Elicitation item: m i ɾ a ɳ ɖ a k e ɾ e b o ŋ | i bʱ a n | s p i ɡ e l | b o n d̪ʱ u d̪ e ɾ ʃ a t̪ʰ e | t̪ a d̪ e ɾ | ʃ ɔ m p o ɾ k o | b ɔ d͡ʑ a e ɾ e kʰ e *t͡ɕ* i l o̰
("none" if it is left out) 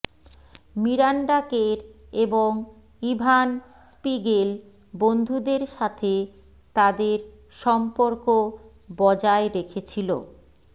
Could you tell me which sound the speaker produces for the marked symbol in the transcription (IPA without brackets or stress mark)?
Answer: t͡ɕʰ